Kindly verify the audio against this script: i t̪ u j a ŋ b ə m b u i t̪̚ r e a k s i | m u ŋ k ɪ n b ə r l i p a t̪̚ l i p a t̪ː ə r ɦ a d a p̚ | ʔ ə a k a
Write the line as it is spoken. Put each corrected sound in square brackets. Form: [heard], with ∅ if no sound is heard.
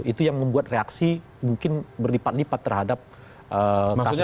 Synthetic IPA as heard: i t̪ u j a ŋ [m] ə m b u [a] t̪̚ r e a k s i | m u ŋ k ɪ n b ə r l i p a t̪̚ l i p a t̪ː ə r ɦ a d a p̚ | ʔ ə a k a